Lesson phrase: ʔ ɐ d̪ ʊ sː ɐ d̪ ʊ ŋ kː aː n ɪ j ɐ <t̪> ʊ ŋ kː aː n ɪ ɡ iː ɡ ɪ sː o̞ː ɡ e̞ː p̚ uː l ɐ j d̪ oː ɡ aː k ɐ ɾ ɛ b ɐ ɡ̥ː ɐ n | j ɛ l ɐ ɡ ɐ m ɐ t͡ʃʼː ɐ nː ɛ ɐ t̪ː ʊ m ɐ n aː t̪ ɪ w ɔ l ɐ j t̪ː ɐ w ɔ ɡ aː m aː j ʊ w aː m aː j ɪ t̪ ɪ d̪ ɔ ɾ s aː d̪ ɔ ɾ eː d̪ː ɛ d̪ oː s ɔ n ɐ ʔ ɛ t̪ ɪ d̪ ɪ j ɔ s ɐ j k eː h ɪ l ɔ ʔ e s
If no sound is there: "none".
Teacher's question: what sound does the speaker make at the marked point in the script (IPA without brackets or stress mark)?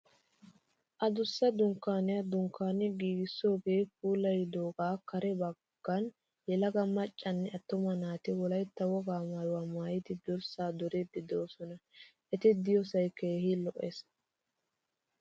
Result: d̪